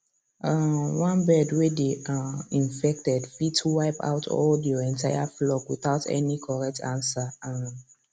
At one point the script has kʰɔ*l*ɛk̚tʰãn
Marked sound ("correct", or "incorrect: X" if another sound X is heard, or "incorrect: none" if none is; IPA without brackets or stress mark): incorrect: ɹ